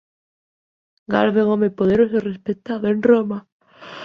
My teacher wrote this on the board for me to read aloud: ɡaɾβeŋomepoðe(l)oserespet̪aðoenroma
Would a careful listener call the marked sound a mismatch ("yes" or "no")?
yes